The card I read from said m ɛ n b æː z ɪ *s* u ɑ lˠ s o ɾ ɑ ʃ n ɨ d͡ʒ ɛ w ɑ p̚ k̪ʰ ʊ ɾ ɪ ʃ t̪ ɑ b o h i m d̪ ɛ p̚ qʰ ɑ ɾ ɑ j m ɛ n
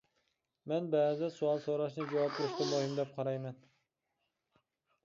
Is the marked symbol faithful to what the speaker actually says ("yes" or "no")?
yes